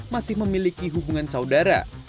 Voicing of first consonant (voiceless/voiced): voiced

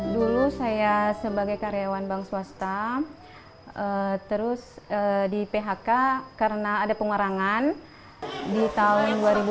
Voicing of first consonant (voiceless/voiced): voiced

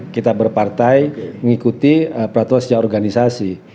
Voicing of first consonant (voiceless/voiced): voiceless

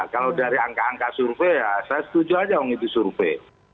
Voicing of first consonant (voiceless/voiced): voiceless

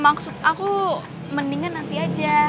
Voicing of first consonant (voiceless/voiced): voiced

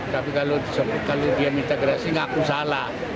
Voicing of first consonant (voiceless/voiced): voiceless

